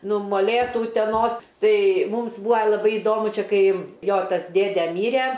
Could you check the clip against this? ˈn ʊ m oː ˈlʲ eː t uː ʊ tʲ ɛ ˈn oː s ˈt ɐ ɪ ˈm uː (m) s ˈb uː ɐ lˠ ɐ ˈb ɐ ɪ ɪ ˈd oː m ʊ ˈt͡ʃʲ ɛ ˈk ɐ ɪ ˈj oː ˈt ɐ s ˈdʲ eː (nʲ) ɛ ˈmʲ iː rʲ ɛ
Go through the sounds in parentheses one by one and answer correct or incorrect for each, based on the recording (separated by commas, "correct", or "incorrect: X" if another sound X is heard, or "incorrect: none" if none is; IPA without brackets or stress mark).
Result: correct, incorrect: dʲ